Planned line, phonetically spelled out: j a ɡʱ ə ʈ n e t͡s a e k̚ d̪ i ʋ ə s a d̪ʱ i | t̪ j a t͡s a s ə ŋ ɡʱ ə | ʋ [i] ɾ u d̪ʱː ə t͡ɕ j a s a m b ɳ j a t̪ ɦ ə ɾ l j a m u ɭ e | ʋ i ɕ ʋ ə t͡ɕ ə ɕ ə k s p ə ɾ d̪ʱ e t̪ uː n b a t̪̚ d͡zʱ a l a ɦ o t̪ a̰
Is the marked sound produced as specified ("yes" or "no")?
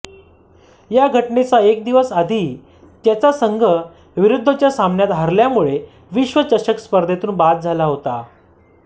yes